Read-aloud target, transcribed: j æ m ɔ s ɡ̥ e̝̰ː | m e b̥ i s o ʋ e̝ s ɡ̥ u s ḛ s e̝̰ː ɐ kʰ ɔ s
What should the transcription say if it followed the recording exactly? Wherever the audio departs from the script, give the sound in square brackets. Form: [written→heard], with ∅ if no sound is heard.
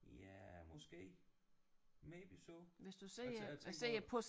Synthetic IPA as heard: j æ m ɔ s ɡ̥ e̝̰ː | m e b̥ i s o ʋ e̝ s [ɡ̥→d̥] u s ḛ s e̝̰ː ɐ [kʰ→pʰ] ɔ s